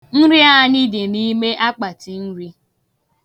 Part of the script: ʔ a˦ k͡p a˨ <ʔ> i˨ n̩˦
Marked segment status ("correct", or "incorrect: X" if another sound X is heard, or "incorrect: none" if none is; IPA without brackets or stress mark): incorrect: t